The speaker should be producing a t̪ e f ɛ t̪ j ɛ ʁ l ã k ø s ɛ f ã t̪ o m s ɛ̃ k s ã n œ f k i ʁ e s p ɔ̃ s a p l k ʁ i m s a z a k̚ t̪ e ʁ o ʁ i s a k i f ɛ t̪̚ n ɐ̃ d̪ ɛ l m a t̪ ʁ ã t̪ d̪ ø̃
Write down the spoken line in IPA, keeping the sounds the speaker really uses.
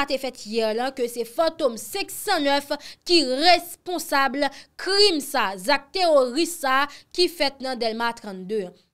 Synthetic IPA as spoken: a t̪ e f ɛ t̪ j ɛ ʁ l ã k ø s ɛ f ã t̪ o m s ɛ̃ k s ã n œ f k i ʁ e s p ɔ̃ s a b l k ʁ i m s a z a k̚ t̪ e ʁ o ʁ i s a k i f ɛ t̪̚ n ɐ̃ d̪ ɛ l m a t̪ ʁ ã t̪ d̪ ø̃